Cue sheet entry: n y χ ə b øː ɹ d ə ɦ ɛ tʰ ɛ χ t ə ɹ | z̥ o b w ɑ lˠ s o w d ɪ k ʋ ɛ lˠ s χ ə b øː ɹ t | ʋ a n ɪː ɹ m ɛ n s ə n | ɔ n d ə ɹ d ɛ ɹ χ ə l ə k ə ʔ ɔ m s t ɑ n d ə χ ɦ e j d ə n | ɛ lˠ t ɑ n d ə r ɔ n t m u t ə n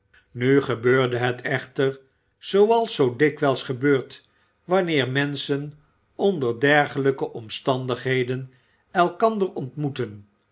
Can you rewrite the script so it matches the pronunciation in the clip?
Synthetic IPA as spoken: n y χ ə b øː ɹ d ə ɦ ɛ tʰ ɛ χ t ə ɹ | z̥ o w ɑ lˠ s o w d ɪ k ʋ ɛ lˠ s χ ə b øː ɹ t | ʋ ɑ n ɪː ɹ m ɛ n s ə n | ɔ n d ə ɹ d ɛ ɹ χ ə l ə k ə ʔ ɔ m s t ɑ n d ə χ ɦ e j d ə n | ɛ lˠ k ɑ n d ə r ɔ n t m u t ə n